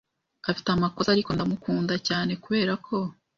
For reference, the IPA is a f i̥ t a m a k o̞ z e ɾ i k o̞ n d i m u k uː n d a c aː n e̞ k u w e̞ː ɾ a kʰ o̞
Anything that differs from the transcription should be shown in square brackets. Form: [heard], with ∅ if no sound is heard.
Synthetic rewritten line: a f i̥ t a m a k o̞ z [a] ɾ i k o̞ n d [a] m u k uː n d a c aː n e̞ k u [β] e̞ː ɾ a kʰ o̞